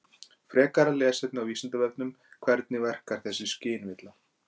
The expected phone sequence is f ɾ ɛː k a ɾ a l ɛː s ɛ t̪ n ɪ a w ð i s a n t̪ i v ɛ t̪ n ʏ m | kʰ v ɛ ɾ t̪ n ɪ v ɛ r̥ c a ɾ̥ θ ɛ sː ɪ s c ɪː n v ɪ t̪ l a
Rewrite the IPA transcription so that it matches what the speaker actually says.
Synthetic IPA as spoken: f ɾ ɛː k a ɾ a l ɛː s ɛ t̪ n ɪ a w v i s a n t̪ a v ɛ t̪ n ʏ m | kʰ v ɛ ɾ t̪ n ɪ v ɛ r̥ k a ɾ̥ θ ɛ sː ɪ s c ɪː n v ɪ t̪ l a